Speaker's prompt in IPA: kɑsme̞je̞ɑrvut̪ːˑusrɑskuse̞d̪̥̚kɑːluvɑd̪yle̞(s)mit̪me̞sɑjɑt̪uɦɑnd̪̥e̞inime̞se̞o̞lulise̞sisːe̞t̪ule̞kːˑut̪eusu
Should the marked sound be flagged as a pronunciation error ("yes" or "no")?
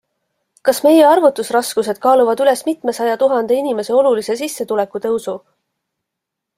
no